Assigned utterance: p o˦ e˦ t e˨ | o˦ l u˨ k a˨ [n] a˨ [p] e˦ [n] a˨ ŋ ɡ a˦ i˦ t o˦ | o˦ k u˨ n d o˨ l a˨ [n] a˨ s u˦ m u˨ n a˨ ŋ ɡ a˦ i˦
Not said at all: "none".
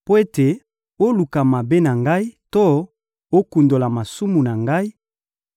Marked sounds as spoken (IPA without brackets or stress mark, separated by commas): m, b, n, m